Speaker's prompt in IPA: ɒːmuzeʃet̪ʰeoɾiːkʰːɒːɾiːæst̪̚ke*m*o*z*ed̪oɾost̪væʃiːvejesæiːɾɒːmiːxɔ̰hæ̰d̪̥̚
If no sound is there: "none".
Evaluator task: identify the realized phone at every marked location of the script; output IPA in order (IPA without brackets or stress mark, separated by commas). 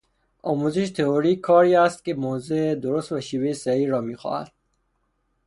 m, z